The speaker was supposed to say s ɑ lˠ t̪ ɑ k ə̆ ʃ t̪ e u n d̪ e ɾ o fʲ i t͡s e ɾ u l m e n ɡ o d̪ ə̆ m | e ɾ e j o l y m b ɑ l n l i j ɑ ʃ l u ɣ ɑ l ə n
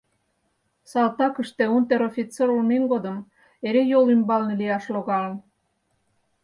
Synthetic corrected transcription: s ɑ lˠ t̪ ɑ k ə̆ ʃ t̪ e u n t̪ e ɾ o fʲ i t͡s e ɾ u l m e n ɡ o d̪ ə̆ m | e ɾ e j o l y m b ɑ l n l i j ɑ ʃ l o ɣ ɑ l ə n